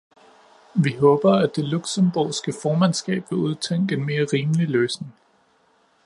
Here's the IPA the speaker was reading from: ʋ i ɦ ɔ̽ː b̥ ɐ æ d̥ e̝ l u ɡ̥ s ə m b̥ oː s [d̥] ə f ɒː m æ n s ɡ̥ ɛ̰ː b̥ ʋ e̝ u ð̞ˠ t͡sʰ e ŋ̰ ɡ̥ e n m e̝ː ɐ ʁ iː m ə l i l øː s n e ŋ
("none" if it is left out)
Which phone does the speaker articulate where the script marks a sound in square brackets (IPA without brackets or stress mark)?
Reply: ɡ̥